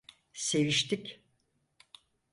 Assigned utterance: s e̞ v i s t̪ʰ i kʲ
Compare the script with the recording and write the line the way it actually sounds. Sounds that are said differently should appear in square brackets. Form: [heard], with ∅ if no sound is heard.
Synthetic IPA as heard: s e̞ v i [ʃ] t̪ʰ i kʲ